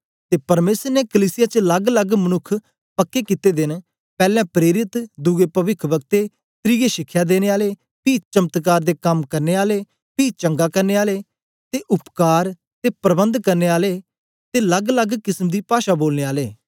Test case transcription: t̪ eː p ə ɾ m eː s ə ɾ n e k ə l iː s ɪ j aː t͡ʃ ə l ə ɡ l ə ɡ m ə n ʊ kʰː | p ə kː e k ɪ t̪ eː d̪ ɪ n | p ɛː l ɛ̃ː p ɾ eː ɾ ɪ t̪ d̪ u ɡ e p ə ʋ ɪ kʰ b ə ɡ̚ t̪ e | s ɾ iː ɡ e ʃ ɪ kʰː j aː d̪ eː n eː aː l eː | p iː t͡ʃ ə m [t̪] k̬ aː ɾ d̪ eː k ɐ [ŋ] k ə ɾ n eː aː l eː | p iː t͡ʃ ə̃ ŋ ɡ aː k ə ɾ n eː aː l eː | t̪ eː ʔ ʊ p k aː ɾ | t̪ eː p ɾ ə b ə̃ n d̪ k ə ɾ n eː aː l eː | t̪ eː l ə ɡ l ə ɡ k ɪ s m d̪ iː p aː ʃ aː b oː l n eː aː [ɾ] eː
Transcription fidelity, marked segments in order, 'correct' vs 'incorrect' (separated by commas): correct, incorrect, incorrect